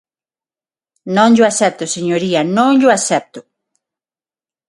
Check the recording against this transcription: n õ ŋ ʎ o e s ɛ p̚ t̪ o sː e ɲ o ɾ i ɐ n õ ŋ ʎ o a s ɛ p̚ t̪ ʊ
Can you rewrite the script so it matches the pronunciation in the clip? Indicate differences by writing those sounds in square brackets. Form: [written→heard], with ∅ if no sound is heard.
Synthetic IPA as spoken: n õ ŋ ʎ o [e→a] s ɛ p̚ t̪ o [sː→s] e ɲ o ɾ i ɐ n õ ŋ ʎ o a s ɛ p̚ t̪ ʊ